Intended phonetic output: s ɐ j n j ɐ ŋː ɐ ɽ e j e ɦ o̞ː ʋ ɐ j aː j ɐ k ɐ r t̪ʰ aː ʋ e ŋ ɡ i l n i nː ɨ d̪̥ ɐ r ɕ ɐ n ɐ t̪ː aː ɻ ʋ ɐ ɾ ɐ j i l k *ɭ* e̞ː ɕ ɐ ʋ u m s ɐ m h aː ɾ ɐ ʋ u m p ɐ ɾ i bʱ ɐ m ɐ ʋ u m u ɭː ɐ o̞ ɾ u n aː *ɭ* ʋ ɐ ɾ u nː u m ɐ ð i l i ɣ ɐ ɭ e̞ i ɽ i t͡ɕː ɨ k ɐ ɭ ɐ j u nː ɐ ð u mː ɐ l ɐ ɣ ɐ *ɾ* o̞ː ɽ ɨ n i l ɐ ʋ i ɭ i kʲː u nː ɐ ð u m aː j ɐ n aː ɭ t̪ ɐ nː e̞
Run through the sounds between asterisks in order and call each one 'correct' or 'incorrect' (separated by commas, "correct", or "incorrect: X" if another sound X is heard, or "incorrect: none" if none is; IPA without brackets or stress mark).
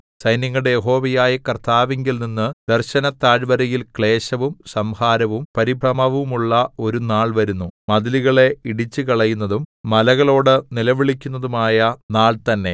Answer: correct, correct, incorrect: ɭ